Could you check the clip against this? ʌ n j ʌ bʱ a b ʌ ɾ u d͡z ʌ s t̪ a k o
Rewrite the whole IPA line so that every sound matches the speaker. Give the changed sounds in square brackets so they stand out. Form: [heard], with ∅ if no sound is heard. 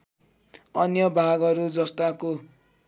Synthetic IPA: ʌ n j ʌ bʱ a [ɡ] ʌ ɾ u d͡z ʌ s t̪ a k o

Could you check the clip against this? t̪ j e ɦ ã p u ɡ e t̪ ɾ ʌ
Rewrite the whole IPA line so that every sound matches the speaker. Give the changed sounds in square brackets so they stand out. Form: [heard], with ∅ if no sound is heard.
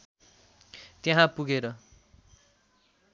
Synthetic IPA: t̪ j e ɦ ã p u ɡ e [∅] ɾ ʌ

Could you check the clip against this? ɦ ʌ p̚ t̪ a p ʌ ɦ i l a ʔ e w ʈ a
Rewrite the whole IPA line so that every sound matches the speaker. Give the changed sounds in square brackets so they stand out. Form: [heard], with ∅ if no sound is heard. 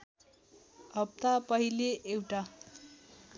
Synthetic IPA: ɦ ʌ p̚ t̪ a p ʌ ɦ i l [e] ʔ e w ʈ a

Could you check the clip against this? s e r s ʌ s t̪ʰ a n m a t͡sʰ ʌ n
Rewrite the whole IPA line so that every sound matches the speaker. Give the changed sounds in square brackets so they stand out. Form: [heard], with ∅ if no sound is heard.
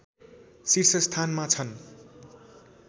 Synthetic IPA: s [i] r s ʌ s t̪ʰ a n m a t͡sʰ ʌ n

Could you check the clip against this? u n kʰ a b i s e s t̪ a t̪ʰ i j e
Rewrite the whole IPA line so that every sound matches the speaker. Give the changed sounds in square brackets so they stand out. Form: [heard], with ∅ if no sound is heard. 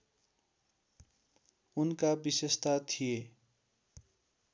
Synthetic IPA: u n [k] a b i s e s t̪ a t̪ʰ i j e

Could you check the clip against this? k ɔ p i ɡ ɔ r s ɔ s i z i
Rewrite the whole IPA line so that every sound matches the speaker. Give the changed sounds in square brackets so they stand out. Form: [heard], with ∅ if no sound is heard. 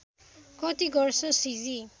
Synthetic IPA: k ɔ [t] i ɡ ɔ [ɹ] s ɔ s i z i

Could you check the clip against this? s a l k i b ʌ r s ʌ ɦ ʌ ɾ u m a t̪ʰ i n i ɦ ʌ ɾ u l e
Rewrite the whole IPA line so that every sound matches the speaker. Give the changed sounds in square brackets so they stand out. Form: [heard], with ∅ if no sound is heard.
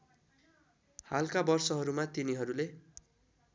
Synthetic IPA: [h] a l k [a] b ʌ r s ʌ ɦ ʌ ɾ u m a [t̪] i n i ɦ ʌ ɾ u l e

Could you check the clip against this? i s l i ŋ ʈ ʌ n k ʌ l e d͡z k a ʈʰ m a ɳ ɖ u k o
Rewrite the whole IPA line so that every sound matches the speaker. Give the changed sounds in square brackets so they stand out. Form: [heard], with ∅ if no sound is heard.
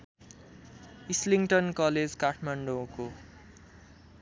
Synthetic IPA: i s l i ŋ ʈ ʌ n k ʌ l e d͡z k a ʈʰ m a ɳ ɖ [o] k o

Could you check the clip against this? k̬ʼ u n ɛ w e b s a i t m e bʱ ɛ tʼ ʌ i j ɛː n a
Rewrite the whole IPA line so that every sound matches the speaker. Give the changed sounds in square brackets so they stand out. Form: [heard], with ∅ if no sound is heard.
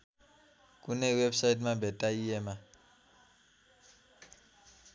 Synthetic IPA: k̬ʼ u n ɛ w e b s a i t m [a] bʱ ɛ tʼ [a] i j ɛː [m] a

